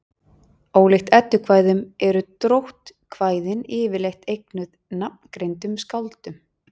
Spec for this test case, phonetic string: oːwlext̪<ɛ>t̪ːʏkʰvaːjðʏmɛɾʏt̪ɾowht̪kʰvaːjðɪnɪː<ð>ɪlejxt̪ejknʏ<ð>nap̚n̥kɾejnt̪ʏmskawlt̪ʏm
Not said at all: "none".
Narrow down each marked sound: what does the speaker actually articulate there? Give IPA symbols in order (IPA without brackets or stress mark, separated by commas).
ɛ, v, ð